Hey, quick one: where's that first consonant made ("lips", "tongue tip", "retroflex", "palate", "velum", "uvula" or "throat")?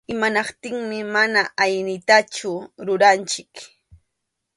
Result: lips